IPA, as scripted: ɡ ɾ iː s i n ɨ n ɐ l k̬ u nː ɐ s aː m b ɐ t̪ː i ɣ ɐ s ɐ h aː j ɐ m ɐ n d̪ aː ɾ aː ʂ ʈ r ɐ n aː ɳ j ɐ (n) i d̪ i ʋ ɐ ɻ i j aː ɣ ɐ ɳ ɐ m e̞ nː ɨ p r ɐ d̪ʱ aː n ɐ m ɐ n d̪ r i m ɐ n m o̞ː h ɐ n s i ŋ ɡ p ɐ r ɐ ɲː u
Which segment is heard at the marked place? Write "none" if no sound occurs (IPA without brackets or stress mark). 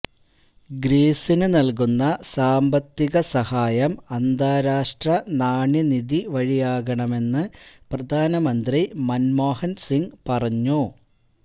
n